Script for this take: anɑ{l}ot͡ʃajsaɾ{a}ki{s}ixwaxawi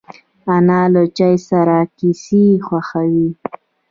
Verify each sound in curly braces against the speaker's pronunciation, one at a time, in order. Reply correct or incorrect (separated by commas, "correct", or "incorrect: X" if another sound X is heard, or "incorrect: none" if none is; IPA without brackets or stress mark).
correct, correct, correct